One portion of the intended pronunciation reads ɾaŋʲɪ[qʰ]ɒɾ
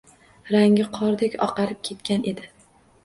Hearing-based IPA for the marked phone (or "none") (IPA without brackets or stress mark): qʰ